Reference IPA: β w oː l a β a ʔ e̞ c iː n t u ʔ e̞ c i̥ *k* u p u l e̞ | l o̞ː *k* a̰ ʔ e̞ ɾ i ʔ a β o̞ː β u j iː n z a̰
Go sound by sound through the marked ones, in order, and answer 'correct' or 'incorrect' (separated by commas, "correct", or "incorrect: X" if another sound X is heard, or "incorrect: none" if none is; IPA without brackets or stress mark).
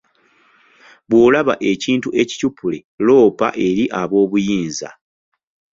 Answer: incorrect: c, incorrect: p